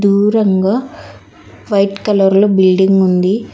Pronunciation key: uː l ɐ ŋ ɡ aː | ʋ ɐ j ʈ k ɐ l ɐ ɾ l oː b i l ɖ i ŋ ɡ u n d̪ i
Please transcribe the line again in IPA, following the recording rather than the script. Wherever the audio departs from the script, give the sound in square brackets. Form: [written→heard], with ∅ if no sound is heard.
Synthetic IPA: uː [l→ɾ] ɐ ŋ ɡ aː | ʋ ɐ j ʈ k ɐ l ɐ ɾ l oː b i l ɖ i ŋ ɡ u n d̪ i